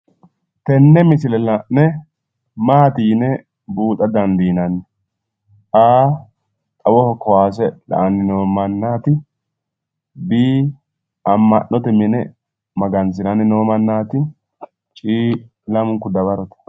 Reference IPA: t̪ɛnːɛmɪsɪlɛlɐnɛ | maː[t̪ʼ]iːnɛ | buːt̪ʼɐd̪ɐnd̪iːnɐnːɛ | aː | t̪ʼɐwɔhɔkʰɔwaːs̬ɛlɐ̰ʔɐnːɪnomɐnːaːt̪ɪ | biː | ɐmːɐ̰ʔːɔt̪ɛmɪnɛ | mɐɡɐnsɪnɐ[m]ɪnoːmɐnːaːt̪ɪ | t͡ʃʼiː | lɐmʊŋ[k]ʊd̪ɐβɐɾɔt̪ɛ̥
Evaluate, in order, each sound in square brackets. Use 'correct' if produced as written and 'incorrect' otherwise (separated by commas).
incorrect, incorrect, correct